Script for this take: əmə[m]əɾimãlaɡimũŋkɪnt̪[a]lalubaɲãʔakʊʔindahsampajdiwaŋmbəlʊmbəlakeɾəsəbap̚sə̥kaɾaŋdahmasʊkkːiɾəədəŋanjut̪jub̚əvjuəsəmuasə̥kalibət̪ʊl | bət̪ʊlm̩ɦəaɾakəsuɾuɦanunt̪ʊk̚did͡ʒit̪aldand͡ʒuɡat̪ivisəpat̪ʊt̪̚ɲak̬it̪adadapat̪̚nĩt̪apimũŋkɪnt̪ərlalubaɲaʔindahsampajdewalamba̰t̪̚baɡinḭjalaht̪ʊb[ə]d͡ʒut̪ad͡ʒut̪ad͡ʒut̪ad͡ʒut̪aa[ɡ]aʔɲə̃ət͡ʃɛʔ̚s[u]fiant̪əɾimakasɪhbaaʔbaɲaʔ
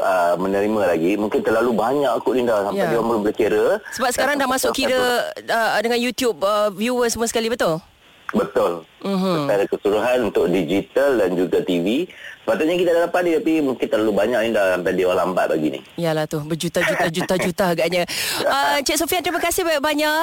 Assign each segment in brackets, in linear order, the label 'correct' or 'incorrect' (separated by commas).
incorrect, incorrect, correct, correct, incorrect